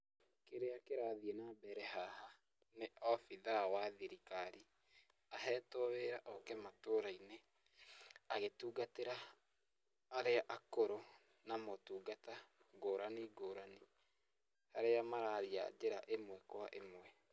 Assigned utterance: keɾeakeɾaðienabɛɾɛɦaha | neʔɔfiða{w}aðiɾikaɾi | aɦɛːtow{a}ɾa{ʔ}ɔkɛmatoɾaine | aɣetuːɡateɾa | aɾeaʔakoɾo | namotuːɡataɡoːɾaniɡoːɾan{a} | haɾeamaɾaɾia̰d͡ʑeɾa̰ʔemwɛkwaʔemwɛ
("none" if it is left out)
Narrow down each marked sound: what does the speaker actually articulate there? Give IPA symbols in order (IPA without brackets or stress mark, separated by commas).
w, e, ʔ, i